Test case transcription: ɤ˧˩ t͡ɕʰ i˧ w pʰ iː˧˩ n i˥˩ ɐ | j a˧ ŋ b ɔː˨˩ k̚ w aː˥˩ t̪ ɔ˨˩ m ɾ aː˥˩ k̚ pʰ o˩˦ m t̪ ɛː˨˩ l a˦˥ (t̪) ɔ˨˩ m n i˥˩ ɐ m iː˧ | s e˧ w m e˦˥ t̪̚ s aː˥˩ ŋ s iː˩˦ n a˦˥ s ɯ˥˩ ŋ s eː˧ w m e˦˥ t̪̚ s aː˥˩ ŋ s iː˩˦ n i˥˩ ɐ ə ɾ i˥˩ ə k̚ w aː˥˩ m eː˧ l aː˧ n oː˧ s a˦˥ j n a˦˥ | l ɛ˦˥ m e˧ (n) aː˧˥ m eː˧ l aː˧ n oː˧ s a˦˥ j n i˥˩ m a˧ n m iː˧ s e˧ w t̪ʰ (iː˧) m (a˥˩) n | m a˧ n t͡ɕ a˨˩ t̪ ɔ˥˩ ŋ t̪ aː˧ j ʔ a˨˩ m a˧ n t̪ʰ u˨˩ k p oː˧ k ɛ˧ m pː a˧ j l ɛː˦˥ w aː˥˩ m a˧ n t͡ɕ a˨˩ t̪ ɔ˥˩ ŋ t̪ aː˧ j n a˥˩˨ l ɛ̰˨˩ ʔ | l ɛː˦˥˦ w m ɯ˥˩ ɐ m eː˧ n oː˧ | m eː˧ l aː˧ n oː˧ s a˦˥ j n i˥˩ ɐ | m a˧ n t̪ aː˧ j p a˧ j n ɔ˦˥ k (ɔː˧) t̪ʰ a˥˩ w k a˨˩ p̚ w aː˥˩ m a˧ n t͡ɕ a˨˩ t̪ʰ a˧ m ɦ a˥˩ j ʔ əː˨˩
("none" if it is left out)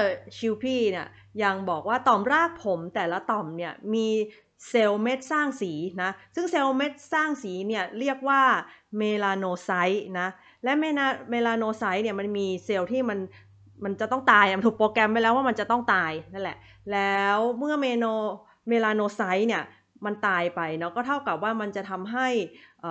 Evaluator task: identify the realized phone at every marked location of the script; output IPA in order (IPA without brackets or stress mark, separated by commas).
t̪, n, iː˥˩, a˧, ɔː˥˩